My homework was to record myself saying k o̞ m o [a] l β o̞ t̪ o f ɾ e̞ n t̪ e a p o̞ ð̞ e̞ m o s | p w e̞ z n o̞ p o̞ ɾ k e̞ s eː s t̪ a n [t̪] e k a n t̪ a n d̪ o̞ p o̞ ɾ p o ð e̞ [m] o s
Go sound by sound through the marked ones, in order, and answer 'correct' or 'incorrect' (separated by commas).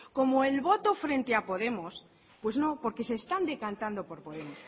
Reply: incorrect, incorrect, correct